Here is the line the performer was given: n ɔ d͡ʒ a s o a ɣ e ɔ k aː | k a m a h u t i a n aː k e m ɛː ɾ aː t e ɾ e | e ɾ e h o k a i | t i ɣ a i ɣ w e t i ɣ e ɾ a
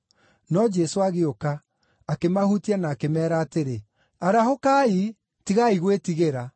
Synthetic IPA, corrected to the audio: n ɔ d͡ʒ ɛ s o a ɣ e o k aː | k e m a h u t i a n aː k e m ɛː ɾ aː t e ɾ e | a ɾ a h o k a i | t i ɣ a i ɣ w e t i ɣ e ɾ a